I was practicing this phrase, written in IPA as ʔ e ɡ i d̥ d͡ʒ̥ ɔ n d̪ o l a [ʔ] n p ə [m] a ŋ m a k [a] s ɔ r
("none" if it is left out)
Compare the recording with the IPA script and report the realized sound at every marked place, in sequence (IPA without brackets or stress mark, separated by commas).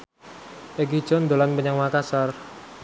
none, ɲ, a